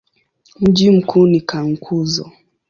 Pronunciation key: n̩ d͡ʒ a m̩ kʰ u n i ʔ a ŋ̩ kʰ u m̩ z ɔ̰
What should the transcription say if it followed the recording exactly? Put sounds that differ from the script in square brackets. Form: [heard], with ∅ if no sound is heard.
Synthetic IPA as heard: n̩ d͡ʒ [i] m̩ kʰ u n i [k] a ŋ̩ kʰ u [∅] z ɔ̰

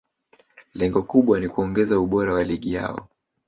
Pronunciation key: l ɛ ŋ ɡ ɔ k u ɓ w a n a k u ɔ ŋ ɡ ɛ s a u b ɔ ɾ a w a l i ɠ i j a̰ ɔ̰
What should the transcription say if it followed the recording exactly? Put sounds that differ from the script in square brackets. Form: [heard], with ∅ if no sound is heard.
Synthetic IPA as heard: l ɛ ŋ ɡ ɔ k u ɓ w a n [i] k u ɔ ŋ ɡ ɛ [z] a u [ɓ] ɔ ɾ a w a l i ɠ i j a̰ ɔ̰

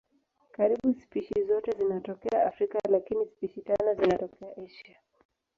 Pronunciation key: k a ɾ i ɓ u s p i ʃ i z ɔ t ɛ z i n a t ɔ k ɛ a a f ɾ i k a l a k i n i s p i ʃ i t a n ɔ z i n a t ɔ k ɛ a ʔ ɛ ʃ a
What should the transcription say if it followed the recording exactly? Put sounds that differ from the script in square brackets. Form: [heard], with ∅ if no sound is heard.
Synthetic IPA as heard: k a ɾ i ɓ u s p i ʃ i z ɔ t ɛ z i n a t ɔ k ɛ a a f ɾ i k a l a k i n i s p i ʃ i t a n ɔ z i n a t ɔ k ɛ a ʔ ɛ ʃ a

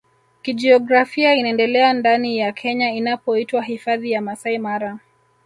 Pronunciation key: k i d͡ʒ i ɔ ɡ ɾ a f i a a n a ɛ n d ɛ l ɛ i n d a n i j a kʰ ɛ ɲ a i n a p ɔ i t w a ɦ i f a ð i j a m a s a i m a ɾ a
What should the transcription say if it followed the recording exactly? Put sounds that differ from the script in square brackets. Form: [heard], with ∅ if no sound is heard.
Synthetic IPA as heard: k i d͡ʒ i ɔ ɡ ɾ a f i a [i] n a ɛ n d ɛ l ɛ [a] n d a n i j a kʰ ɛ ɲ a i n a p ɔ i t w a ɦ i f a ð i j a m a s a i m a ɾ a

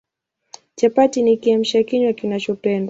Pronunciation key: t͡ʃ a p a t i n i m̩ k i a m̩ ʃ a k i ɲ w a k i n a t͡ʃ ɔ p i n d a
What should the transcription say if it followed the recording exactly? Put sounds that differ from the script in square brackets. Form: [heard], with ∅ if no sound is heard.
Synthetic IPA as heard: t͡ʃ a p a t i n i [∅] k i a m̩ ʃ a k i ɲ w a k i n a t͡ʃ ɔ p [ɛ] n d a

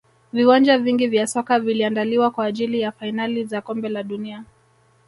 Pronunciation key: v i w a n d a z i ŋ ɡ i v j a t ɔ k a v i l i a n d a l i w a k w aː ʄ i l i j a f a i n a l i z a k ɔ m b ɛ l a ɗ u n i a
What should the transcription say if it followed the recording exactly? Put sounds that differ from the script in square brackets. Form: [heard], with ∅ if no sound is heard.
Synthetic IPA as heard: v i w a n [d͡ʒ] a [v] i ŋ ɡ i v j a [s] ɔ k a v i l i a n d a l i w a k w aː ʄ i l i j a f a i n a l i z a k ɔ m b ɛ l a ɗ u n i a

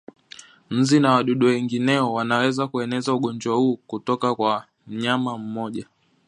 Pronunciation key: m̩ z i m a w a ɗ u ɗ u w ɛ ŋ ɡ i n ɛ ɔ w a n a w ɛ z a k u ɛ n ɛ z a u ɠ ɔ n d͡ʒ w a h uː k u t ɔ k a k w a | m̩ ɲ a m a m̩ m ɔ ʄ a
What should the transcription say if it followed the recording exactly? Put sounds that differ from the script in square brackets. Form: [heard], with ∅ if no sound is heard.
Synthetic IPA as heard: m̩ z i [n] a w a ɗ u ɗ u w ɛ ŋ ɡ i n ɛ ɔ w a n a w ɛ z a k u ɛ n ɛ z a u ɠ ɔ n d͡ʒ w a h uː k u t ɔ k a k w a | m̩ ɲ a m a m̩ m ɔ ʄ a

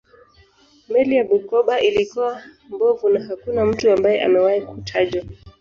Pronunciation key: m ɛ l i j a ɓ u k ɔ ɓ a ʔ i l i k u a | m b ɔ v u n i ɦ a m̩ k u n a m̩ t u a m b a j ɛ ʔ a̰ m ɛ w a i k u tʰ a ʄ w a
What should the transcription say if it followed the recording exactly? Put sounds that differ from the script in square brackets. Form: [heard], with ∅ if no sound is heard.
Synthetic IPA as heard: m ɛ l i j a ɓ u k ɔ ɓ a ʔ i l i k u a | m b ɔ v u n [a] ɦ a [∅] k u n a m̩ t u a m b a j ɛ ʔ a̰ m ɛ w a i k u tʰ a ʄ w a

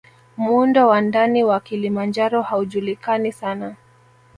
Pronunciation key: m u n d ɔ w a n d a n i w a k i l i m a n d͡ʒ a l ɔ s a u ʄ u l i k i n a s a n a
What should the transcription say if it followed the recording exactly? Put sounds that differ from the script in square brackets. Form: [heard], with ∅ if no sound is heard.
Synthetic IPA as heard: m u n d ɔ w a n d a n i w a k i l i m a n d͡ʒ a [ɾ] ɔ [h] a u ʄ u l i k [a] n [i] s a n a

